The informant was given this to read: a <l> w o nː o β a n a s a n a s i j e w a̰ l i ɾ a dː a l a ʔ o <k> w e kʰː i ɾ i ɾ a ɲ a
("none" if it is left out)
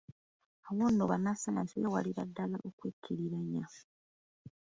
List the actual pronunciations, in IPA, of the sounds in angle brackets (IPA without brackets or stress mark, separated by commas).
none, k